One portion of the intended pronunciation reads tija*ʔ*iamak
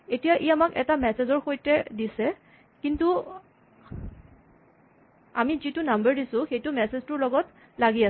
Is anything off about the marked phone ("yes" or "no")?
no